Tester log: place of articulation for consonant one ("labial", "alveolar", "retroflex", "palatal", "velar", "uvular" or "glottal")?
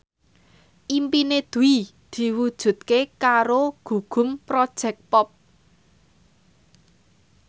glottal